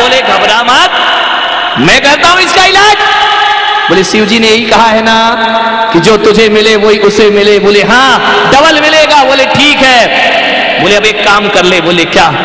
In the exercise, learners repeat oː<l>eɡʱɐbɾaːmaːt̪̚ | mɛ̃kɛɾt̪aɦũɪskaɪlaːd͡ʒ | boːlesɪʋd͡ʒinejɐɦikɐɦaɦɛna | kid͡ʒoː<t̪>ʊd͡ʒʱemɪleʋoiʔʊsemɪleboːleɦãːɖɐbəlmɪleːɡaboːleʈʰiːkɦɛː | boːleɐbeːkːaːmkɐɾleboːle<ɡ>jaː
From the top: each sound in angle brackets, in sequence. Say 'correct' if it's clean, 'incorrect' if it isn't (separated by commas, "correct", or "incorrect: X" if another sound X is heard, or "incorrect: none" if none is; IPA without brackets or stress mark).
correct, correct, incorrect: k